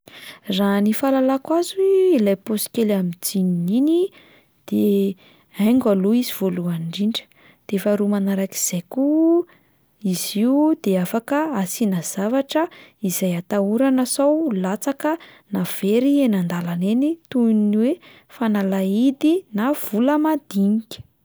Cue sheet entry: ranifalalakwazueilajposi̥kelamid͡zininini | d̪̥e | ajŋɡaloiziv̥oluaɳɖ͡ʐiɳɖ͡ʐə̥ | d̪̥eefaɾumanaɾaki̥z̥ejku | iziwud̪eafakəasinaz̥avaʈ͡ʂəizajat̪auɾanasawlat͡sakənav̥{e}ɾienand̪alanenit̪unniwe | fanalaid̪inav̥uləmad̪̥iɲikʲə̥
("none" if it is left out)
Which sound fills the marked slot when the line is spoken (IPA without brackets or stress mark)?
e